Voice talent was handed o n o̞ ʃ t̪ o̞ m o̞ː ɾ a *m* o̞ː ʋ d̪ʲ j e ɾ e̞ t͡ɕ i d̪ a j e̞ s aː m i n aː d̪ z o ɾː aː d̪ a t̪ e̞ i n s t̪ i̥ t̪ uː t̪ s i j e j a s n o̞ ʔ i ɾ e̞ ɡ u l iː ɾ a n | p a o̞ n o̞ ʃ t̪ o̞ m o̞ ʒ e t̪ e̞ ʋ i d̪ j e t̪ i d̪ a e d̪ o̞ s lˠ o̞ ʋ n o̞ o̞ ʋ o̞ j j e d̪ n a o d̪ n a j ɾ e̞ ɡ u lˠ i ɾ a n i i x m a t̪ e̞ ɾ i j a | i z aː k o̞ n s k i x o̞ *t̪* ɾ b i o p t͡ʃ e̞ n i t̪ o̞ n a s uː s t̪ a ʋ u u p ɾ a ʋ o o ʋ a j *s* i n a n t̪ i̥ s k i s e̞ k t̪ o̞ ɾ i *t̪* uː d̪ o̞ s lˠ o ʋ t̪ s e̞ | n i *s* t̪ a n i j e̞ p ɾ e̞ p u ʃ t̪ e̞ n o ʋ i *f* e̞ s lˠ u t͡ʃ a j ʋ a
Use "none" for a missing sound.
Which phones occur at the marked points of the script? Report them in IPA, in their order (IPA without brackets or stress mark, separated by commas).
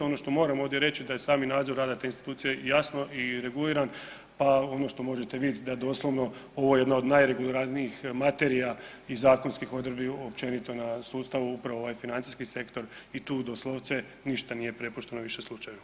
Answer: m, d̪, f, t̪, ʃ, ʃ